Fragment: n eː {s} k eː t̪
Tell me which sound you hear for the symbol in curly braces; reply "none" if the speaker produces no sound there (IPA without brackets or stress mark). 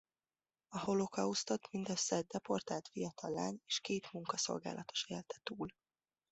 ʃ